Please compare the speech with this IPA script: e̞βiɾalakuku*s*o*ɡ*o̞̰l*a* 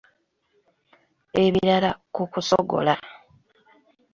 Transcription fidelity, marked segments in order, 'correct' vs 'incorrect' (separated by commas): correct, correct, correct